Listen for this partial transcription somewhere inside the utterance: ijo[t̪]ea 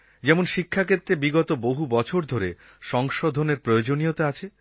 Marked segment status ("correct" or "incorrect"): correct